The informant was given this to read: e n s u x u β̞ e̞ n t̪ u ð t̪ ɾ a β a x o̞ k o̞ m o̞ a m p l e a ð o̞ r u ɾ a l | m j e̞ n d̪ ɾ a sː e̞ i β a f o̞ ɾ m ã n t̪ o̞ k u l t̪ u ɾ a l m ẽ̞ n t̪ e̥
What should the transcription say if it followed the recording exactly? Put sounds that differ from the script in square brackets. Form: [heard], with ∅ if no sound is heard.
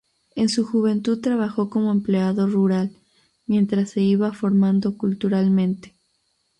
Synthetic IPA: e n s u x u β̞ e̞ n t̪ u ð t̪ ɾ a β a x o̞ k o̞ m o̞ [e] m p l e a ð o̞ r u ɾ a l | m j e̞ n [t̪] ɾ a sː e̞ i β a f o̞ ɾ m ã n [d̪] o̞ k u l t̪ u ɾ a l m ẽ̞ n t̪ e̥